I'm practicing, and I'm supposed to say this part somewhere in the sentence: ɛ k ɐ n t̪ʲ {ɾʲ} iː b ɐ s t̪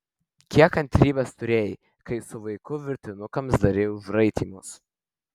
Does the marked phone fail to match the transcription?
no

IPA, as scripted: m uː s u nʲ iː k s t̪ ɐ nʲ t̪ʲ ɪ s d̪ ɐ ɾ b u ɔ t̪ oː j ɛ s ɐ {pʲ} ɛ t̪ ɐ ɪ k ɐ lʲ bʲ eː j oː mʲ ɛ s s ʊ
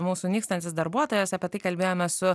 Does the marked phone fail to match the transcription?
no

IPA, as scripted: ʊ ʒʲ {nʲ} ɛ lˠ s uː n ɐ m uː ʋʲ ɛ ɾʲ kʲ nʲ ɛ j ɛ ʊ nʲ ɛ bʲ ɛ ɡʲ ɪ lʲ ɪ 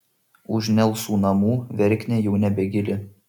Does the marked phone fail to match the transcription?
no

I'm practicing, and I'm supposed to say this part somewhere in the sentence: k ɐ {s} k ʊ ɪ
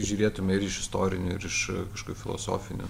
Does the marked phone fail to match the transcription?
yes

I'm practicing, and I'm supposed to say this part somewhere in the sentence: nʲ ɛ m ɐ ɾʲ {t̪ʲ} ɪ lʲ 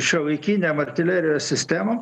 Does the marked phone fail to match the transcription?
no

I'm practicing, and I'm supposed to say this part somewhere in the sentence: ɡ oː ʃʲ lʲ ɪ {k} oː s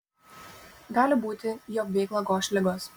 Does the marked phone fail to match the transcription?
yes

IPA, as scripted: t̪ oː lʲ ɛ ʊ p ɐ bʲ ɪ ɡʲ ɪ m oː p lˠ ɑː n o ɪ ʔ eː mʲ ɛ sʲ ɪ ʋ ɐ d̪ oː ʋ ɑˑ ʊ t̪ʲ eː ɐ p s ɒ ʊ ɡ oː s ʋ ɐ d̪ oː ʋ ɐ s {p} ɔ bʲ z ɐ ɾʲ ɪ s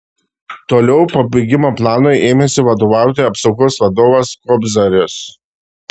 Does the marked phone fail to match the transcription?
yes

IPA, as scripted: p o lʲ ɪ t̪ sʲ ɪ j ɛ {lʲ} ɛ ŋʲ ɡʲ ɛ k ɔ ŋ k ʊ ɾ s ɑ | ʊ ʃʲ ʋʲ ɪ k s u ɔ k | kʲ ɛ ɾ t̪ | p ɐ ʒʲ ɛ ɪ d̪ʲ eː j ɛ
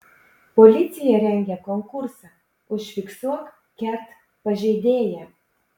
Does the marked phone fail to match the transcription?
yes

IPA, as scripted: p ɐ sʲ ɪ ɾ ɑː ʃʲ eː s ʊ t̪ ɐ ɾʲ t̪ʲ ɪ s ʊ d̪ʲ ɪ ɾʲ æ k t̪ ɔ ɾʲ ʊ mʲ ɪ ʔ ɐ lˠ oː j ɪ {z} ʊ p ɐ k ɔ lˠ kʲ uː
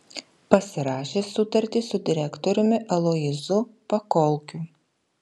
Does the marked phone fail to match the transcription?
no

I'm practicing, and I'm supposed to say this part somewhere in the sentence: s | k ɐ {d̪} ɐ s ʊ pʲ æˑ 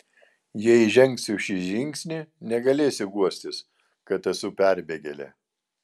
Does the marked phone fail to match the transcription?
yes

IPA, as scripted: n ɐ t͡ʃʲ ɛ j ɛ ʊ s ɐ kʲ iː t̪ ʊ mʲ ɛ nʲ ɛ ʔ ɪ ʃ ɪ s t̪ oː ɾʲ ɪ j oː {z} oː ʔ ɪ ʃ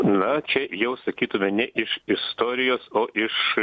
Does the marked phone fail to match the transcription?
yes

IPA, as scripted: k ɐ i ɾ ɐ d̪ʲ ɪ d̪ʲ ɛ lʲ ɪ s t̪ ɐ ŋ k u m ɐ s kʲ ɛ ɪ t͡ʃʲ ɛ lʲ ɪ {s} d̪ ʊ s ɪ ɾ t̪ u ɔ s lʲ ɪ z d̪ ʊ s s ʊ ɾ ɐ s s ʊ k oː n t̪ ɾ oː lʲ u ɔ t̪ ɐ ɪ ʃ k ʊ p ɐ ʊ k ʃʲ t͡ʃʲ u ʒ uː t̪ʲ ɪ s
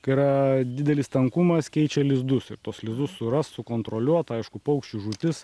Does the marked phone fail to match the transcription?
yes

